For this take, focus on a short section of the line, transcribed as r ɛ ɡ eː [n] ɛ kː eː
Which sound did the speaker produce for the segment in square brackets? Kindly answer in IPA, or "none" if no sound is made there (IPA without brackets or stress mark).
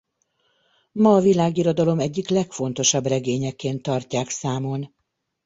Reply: ɲ